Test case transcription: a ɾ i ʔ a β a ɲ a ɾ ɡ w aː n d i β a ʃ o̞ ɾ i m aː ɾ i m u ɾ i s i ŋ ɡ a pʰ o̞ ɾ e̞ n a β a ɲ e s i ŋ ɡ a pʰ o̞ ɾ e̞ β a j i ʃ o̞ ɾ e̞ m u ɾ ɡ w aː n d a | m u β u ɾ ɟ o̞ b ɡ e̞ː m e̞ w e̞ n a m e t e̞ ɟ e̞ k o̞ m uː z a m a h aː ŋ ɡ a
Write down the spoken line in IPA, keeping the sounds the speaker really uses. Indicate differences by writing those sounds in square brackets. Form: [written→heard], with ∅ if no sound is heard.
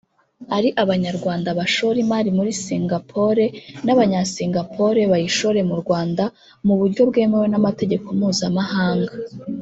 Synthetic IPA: a ɾ i ʔ a β a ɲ a ɾ ɡ w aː n d [i→a] β a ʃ o̞ ɾ i m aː ɾ i m u ɾ i s i ŋ ɡ a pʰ o̞ ɾ e̞ n a β a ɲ [e→a] s i ŋ ɡ a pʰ o̞ ɾ e̞ β a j i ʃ o̞ ɾ e̞ m u ɾ ɡ w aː n d a | m u β u ɾ ɟ o̞ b ɡ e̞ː m e̞ w e̞ n a m [e→a] t e̞ ɟ e̞ k o̞ m uː z a m a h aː ŋ ɡ a